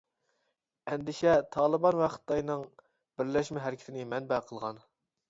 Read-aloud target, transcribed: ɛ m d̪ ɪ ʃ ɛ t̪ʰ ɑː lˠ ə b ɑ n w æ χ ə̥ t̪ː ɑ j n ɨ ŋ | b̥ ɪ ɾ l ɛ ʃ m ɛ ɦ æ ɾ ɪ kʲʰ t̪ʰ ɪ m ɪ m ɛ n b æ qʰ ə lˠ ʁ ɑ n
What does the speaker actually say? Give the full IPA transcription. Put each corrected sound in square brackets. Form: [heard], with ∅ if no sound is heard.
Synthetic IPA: ɛ [n] d̪ ɪ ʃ ɛ t̪ʰ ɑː lˠ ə b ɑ n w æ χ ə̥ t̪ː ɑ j n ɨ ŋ | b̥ ɪ ɾ l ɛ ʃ m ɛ ɦ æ ɾ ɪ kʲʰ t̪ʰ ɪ [n] ɪ m ɛ n b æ qʰ ə lˠ ʁ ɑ n